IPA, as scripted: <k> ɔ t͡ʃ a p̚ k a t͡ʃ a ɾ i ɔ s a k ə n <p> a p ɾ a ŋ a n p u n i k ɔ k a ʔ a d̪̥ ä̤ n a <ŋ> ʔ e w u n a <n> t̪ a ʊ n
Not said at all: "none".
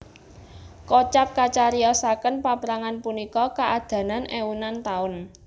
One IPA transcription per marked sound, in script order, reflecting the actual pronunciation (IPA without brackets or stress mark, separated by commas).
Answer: k, p, n, n